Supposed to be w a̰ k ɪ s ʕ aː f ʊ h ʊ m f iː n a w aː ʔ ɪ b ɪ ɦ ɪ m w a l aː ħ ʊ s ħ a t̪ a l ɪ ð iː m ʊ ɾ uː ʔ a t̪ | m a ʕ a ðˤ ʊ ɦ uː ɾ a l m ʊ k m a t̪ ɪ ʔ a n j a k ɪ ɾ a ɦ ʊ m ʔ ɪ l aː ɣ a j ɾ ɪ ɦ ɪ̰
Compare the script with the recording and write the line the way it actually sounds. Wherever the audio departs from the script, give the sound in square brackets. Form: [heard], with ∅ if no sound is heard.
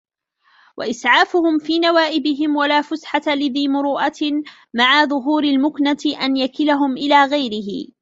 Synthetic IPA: w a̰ [ʔ] ɪ s ʕ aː f ʊ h ʊ m f iː n a w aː ʔ ɪ b ɪ ɦ ɪ m w a l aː [f] ʊ s ħ a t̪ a l ɪ ð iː m ʊ ɾ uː ʔ a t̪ | m a ʕ a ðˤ ʊ ɦ uː ɾ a l m ʊ k [n] a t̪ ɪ ʔ a n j a k ɪ [l] a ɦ ʊ m ʔ ɪ l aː ɣ a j ɾ ɪ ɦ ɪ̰